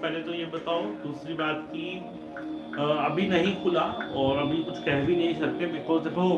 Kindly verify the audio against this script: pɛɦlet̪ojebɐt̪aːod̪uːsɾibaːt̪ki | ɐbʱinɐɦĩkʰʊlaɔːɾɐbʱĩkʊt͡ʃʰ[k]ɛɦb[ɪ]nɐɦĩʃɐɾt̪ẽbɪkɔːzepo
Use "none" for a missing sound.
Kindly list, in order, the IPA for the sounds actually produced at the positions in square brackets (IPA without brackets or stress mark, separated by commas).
k, i